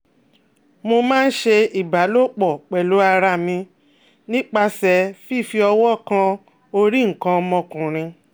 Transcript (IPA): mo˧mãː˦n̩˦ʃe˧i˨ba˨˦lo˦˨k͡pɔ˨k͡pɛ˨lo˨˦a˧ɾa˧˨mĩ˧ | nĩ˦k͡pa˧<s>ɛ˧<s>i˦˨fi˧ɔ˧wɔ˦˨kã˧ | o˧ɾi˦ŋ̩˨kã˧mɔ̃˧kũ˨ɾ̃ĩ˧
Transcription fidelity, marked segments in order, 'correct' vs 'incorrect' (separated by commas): correct, incorrect